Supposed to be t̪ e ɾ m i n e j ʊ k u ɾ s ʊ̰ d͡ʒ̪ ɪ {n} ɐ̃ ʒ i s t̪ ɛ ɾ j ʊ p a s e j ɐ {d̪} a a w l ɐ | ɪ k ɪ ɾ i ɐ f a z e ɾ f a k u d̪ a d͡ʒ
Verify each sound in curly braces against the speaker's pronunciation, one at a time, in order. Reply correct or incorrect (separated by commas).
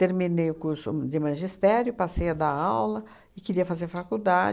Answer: incorrect, correct